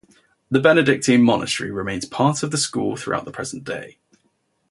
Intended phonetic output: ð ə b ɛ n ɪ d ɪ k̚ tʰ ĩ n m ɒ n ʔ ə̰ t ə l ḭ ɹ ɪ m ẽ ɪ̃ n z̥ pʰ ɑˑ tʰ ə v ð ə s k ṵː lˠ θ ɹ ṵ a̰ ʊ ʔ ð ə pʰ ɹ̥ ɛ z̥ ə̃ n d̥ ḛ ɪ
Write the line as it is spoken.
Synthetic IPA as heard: ð ə b ɛ n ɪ d ɪ k̚ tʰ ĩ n m ɒ n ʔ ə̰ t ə ɹ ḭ ɹ ɪ m ẽ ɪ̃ n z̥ pʰ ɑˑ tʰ ə v ð ə s k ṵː lˠ θ ɹ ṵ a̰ ʊ ʔ ð ə pʰ ɹ̥ ɛ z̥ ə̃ n d̥ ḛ ɪ